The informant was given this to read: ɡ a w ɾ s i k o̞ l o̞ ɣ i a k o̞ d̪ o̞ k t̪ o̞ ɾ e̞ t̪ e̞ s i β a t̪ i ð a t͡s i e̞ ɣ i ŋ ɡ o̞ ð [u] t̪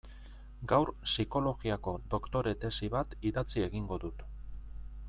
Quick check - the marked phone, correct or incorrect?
correct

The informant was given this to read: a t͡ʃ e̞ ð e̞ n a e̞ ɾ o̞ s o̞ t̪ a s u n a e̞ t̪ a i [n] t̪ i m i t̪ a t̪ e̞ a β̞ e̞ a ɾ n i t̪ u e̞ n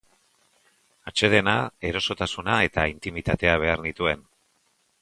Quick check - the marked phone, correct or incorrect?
correct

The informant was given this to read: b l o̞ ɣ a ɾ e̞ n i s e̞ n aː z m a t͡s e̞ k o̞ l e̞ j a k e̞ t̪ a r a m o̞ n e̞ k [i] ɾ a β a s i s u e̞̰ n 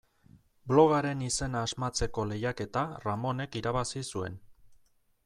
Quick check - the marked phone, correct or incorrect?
correct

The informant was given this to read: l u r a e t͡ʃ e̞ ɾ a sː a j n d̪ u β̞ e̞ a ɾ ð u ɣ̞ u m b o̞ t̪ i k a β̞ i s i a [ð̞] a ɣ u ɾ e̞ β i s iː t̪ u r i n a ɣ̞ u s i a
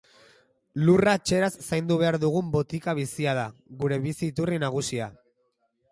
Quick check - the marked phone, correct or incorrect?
correct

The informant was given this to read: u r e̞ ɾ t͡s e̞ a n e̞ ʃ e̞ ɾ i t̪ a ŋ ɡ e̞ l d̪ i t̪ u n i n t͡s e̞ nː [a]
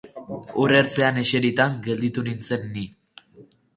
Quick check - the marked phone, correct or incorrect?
incorrect: i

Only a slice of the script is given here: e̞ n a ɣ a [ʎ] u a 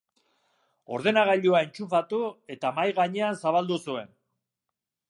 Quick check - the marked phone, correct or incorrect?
correct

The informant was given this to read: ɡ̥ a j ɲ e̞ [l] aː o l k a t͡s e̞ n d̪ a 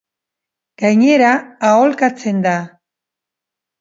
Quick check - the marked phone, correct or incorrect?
incorrect: ɾ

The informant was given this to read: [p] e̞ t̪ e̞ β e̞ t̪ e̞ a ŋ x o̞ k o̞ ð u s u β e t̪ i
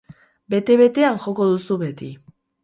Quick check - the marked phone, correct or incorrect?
incorrect: b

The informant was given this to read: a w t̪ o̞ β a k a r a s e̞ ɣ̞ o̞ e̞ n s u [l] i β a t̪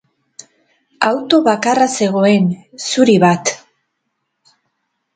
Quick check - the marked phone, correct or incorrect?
incorrect: ɾ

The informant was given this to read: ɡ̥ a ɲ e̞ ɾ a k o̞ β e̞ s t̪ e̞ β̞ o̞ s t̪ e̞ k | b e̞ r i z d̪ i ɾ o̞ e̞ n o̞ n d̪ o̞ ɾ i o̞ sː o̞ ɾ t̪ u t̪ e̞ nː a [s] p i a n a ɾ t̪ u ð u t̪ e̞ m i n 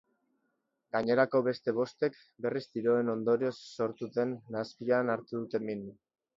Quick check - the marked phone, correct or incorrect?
correct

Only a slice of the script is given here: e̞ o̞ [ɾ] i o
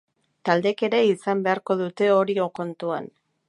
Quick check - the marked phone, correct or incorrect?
correct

